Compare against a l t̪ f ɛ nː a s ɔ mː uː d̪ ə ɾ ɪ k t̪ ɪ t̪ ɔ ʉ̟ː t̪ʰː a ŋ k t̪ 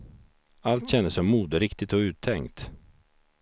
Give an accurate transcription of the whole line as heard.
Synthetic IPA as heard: a l t̪ ɕ ɛ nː ə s ɔ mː uː d̪ ə ɾ ɪ k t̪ ɪ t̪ ɔ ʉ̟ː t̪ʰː ɛ ŋ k t̪